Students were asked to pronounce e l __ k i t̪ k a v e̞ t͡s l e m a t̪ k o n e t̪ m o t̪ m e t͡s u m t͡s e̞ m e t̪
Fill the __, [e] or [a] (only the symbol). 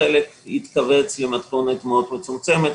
e